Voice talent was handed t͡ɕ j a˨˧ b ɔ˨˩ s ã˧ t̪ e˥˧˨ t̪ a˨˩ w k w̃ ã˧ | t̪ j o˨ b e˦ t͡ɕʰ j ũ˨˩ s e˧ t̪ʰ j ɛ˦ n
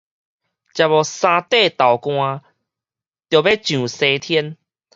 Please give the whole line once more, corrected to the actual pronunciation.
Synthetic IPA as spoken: t͡ɕ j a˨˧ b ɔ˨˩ s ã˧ t̪ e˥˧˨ t̪ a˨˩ w k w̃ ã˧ | t̪ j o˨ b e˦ t͡ɕ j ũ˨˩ s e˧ t̪ʰ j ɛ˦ n